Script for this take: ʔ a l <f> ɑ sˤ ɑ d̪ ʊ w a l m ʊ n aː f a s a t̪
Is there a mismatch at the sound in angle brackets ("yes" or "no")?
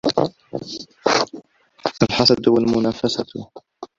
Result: yes